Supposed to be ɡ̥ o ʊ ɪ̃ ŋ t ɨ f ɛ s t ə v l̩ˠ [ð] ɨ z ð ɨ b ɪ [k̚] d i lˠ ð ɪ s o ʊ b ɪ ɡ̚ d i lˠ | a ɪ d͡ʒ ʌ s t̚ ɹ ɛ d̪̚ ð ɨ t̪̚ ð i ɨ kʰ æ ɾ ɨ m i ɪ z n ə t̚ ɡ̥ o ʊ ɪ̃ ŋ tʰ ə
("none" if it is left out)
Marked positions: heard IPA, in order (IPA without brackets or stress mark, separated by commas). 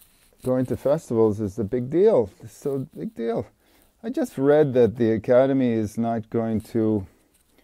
z, ɡ̚